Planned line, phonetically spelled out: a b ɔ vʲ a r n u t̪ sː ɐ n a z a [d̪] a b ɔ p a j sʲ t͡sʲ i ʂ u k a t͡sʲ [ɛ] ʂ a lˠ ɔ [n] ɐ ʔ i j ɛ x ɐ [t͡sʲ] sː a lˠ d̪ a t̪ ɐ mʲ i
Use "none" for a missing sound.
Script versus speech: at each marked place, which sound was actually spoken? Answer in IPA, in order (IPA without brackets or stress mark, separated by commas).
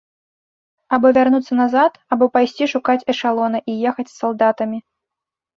t̪, ɛ, n, t͡sʲ